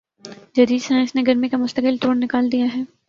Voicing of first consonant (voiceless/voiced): voiced